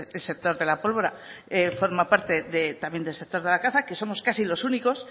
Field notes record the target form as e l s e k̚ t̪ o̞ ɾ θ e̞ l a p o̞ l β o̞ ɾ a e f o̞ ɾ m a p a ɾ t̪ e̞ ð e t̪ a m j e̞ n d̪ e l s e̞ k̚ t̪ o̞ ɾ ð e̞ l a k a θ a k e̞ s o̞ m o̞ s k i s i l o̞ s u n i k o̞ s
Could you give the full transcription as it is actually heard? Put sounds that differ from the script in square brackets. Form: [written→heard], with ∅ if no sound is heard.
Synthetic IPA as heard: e l s e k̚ t̪ o̞ ɾ [θ→ð] e̞ l a p o̞ l β o̞ ɾ a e f o̞ ɾ m a p a ɾ t̪ e̞ ð e t̪ a m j e̞ n d̪ e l s e̞ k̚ t̪ o̞ ɾ ð e̞ l a k a θ a k e̞ s o̞ m o̞ s k [i→a] s i l o̞ s u n i k o̞ s